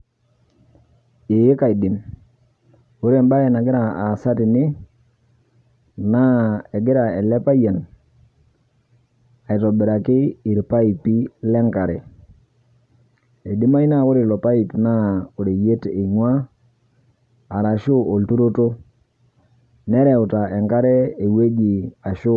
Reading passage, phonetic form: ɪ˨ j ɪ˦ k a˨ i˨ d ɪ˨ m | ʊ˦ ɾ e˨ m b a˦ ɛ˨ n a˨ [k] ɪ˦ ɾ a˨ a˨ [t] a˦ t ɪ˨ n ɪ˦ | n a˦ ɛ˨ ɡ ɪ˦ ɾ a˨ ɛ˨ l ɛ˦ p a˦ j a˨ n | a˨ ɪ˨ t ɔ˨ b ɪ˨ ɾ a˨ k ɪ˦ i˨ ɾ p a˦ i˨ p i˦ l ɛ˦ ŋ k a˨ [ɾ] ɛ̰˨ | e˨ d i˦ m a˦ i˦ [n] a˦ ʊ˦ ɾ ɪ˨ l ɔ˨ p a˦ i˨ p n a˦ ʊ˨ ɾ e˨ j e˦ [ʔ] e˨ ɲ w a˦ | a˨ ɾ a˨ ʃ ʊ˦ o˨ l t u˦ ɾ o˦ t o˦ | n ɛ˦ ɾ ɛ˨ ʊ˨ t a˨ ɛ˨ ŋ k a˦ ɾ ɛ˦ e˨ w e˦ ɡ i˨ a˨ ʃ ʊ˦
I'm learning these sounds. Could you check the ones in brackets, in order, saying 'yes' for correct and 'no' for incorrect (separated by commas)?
no, no, yes, yes, no